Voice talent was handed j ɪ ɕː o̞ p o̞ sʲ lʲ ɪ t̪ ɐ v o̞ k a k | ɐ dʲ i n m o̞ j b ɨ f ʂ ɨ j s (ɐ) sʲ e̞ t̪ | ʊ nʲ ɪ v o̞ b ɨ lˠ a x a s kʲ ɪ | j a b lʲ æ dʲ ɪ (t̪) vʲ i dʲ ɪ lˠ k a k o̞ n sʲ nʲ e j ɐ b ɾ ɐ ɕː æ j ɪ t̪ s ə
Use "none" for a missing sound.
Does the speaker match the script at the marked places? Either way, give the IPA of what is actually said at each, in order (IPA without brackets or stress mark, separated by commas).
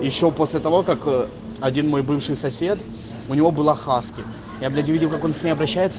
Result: ɐ, none